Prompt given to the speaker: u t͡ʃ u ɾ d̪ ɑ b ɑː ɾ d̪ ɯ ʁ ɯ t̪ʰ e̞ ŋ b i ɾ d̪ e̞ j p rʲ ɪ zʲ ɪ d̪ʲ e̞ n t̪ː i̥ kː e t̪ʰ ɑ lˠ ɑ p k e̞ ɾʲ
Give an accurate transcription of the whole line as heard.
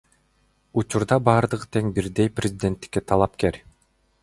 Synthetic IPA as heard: u t͡ʃ u ɾ d̪ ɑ b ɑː ɾ d̪ ɯ ʁ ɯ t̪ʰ e̞ ŋ b i ɾ d̪ e̞ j p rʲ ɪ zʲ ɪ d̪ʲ e̞ n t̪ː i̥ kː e t̪ʰ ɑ lˠ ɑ p k e̞ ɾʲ